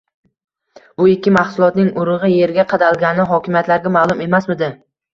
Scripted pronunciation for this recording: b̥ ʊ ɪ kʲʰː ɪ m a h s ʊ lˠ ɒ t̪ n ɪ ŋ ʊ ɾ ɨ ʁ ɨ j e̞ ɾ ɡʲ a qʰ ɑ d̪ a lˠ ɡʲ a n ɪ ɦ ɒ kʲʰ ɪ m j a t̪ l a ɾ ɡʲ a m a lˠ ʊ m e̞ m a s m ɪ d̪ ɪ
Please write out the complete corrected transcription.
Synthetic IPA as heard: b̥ ʊ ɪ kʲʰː ɪ m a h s ʊ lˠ ɒ t̪ n ɪ ŋ ʊ ɾ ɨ ʁ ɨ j e̞ ɾ ɡʲ a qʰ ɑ d̪ a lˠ ɡʲ a n ɪ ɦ ɒ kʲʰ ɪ m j a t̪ l a ɾ ɡʲ a m a lˠ ʊ m e̞ m a s m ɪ d̪ ɪ

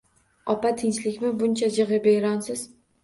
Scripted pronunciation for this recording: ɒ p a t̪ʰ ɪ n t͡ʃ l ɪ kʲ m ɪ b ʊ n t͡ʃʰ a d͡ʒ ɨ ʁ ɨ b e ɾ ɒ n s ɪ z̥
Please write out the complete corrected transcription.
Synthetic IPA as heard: ɒ p a t̪ʰ ɪ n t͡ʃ l ɪ kʲ m ɪ b ʊ n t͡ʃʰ a d͡ʒ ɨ ʁ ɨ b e ɾ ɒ n s ɪ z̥

